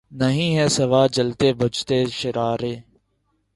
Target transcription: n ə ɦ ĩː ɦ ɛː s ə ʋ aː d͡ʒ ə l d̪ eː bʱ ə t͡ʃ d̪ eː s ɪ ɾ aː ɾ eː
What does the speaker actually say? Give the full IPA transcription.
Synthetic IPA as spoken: n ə ɦ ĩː ɦ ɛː s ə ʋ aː d͡ʒ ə l t̪ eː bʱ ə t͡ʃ t̪ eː ʃ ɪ ɾ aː ɾ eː